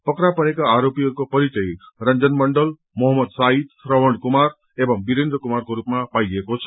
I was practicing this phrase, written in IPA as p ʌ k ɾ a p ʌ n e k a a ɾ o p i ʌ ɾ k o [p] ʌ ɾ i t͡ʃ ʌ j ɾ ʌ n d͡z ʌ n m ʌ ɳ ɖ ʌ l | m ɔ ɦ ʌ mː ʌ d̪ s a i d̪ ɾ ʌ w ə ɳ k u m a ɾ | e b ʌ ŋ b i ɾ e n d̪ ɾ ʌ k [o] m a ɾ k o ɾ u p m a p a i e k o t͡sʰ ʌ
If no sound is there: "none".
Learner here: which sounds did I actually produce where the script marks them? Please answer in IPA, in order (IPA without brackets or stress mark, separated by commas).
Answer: p, u